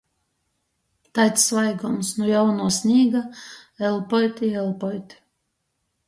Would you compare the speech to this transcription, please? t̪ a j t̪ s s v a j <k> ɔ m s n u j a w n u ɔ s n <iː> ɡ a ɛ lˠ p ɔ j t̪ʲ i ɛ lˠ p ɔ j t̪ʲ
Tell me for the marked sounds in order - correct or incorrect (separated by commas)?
incorrect, correct